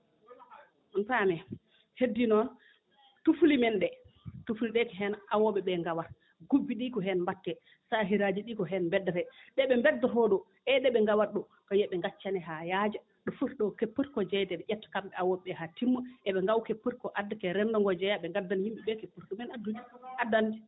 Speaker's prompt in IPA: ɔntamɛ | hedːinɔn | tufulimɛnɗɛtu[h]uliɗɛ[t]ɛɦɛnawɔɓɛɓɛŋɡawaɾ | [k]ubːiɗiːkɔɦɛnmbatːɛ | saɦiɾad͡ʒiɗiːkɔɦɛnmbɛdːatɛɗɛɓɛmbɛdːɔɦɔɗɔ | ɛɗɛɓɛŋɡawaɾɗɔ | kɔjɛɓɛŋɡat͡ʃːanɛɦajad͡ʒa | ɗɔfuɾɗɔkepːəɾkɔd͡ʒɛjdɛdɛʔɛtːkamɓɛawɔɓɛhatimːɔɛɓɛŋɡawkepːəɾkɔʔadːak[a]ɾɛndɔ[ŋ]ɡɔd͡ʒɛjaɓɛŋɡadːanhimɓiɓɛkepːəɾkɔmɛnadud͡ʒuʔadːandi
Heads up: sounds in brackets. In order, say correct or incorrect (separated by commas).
incorrect, incorrect, incorrect, incorrect, correct